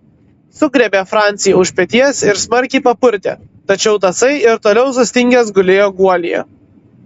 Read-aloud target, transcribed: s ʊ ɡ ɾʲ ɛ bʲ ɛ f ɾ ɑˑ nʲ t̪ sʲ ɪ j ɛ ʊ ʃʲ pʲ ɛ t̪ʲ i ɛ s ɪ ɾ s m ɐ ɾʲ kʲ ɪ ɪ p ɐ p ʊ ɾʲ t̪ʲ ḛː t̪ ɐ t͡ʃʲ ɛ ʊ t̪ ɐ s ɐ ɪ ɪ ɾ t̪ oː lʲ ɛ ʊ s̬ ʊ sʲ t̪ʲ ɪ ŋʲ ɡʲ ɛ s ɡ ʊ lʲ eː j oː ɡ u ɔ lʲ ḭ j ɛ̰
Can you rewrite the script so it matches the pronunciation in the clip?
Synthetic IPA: s ʊ ɡ ɾʲ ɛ bʲ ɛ f ɾ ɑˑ nʲ t̪ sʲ ɪ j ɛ ʊ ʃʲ pʲ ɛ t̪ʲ i ɛ s ɪ ɾ s m ɐ ɾʲ kʲ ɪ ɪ p ɐ p ʊ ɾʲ t̪ʲ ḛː t̪ ɐ t͡ʃʲ ɛ ʊ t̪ ɐ s ɐ ɪ ɪ ɾ t̪ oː lʲ ɛ ʊ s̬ ʊ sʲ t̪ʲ ɪ ŋʲ ɡʲ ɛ s ɡ ʊ lʲ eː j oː ɡ u ɔ lʲ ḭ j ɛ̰